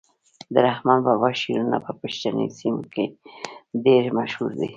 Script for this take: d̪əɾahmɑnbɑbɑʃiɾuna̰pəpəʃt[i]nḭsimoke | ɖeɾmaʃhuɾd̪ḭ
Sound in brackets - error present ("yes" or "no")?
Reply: yes